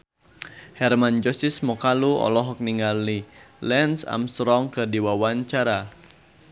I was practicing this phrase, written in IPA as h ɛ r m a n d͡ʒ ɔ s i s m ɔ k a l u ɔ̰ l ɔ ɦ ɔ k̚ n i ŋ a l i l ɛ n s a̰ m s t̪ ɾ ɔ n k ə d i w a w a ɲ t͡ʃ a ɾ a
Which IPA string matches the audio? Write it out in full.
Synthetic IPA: h ɛ r m a n d͡ʒ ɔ s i s m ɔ k a l u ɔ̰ l ɔ ɦ ɔ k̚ n i ŋ a l i l ɛ n s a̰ m s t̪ ɾ ɔ ŋ k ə d i w a w a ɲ t͡ʃ a ɾ a